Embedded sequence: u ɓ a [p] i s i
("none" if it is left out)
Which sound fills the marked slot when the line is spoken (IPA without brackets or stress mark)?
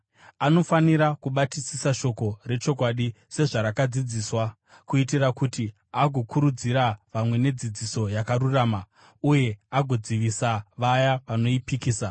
t